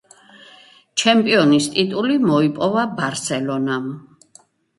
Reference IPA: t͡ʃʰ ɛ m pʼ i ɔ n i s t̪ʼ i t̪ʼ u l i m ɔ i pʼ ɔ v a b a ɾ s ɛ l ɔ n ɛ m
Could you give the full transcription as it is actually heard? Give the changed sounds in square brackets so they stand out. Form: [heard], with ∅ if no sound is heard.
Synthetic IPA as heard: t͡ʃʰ ɛ m pʼ i ɔ n i s t̪ʼ i t̪ʼ u l i m ɔ i pʼ ɔ v a b a ɾ s ɛ l ɔ n [a] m